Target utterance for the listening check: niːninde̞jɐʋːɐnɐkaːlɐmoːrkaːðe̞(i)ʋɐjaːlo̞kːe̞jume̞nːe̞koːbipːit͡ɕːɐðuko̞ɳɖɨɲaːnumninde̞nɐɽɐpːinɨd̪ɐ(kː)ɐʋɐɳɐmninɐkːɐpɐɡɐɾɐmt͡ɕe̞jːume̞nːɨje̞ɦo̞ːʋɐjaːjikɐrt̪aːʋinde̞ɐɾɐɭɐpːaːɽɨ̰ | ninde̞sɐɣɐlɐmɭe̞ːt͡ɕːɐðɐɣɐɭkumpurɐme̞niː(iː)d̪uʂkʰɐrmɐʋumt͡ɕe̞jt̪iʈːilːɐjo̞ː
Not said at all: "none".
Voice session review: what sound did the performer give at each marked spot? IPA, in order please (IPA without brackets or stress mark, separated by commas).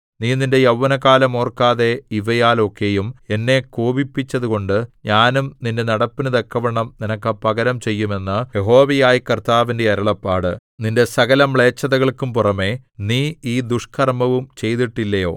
i, kː, iː